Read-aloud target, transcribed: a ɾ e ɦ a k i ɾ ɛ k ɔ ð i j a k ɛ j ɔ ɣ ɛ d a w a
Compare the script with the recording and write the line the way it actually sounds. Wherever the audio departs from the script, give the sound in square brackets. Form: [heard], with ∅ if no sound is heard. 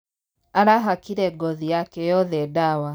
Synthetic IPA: a ɾ [a] ɦ a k i ɾ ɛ [ɡ] ɔ ð i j a k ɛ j ɔ [ð] ɛ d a w a